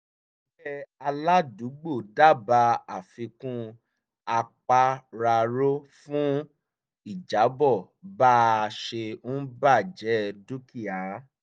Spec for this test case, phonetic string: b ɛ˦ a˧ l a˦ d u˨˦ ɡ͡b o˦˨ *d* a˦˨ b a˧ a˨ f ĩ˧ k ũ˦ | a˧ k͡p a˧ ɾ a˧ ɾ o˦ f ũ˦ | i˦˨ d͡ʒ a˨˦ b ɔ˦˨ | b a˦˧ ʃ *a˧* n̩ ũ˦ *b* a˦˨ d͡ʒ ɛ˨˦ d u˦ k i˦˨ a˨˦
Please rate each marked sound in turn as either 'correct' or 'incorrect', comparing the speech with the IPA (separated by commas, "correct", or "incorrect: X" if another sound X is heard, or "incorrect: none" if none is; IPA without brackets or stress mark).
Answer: correct, incorrect: e˧, correct